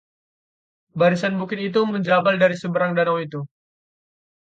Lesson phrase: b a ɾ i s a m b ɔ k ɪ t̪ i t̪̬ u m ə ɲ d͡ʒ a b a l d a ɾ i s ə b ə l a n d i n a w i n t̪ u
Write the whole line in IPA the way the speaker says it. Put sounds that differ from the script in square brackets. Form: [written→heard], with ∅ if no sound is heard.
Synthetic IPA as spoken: b a ɾ i s a [m→n] b [ɔ→u] k ɪ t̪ i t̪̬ u m ə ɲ d͡ʒ a b a l d a ɾ i s ə b ə [l→ɾ] a [n→ŋ] d [i→a] n a w i [n→∅] t̪ u